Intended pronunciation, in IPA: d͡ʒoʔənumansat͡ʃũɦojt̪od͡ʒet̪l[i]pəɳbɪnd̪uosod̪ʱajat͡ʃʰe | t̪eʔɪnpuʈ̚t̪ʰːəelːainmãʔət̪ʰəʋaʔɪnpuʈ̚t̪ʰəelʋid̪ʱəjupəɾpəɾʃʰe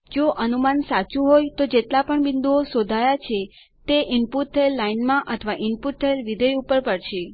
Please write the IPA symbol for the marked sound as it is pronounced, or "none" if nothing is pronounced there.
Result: a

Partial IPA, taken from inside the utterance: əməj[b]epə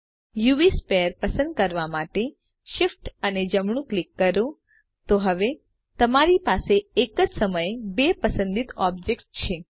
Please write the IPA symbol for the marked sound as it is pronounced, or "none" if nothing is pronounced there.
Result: b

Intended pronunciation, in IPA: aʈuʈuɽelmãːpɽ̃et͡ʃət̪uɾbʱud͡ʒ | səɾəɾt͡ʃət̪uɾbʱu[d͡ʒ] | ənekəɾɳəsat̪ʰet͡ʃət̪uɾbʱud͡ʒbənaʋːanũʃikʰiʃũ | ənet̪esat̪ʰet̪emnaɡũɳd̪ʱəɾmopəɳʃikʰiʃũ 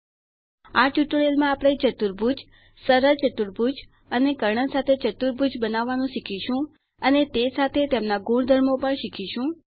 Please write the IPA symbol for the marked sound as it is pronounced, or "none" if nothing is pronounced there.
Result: d͡ʒ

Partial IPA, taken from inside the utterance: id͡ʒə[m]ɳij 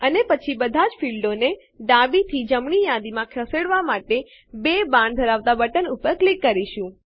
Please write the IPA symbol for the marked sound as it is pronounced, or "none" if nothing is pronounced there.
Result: m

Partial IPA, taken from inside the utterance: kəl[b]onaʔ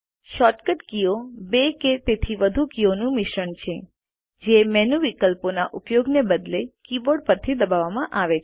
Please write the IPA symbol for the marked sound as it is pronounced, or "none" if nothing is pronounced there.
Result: p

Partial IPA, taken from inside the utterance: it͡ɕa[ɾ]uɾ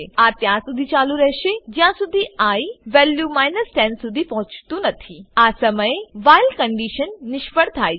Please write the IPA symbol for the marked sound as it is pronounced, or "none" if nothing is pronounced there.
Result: l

